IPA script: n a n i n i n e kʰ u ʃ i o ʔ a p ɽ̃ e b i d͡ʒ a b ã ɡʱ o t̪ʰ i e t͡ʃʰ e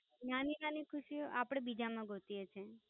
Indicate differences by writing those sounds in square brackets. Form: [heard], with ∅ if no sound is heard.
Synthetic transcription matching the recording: n a n i n [a] n [i] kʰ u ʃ i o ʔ a p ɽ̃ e b i d͡ʒ a [m] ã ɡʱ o [t̪] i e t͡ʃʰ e